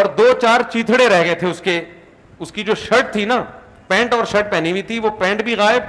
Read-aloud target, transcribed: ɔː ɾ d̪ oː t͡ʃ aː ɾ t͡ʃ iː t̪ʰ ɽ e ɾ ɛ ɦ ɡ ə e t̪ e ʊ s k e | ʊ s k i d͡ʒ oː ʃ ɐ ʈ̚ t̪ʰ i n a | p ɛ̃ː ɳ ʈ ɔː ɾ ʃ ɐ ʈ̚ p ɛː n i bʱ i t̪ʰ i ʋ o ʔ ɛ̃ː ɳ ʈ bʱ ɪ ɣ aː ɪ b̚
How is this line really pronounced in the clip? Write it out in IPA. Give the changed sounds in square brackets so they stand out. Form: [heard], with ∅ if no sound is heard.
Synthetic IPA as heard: ɔː ɾ d̪ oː t͡ʃ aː ɾ t͡ʃ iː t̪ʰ ɽ e ɾ ɛ ɦ ɡ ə e [t̪ʰ] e ʊ s k e | ʊ s k i d͡ʒ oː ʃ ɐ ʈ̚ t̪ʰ i n a | p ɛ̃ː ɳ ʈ ɔː ɾ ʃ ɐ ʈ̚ p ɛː n i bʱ i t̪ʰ i ʋ o [p] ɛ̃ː ɳ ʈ bʱ [i] ɣ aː ɪ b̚